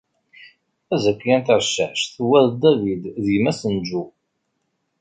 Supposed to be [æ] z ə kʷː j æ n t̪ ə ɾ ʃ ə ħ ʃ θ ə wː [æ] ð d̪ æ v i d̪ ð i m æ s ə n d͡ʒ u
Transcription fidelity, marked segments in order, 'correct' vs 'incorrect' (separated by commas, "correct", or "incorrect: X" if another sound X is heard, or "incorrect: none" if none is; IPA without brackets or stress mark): correct, correct